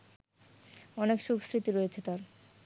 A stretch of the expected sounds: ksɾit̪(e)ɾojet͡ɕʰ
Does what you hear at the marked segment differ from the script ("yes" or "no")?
yes